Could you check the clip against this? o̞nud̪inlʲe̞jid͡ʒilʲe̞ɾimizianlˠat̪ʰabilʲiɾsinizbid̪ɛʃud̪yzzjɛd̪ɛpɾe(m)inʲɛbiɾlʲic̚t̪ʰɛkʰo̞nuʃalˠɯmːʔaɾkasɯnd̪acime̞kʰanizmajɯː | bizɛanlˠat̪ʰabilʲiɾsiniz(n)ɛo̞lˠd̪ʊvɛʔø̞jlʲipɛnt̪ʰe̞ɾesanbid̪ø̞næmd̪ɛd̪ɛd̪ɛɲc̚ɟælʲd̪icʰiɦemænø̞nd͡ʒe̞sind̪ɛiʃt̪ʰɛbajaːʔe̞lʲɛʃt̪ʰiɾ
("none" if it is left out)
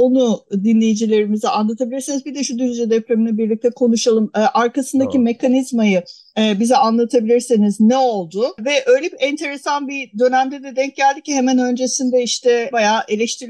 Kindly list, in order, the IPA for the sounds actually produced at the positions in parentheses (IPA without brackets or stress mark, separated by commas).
m, n